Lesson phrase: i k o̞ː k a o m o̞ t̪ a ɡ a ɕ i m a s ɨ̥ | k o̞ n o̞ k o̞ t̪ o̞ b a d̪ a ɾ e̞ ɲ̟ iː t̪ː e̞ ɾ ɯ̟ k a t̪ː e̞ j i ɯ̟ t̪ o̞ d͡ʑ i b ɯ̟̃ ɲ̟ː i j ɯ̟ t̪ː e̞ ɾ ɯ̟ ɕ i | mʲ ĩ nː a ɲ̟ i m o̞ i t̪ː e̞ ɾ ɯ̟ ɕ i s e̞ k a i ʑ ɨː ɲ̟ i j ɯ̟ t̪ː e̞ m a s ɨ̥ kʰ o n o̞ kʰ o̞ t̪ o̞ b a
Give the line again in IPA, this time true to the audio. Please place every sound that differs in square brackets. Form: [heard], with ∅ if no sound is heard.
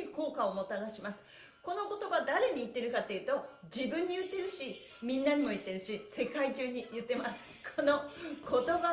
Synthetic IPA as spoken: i k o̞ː k a o m o̞ t̪ a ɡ a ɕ i m a s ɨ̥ | k o̞ n o̞ k o̞ t̪ o̞ b a d̪ a ɾ e̞ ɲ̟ iː t̪ː e̞ ɾ ɯ̟ k a t̪ː e̞ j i ɯ̟ t̪ o̞ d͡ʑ i b ɯ̟̃ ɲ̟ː i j ɯ̟ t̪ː e̞ ɾ ɯ̟ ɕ i | mʲ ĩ nː a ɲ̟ i m o̞ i t̪ː e̞ ɾ ɯ̟ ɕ i s e̞ k a i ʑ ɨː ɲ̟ i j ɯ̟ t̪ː e̞ m a s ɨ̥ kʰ o n o̞ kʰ o̞ t̪ o̞ b a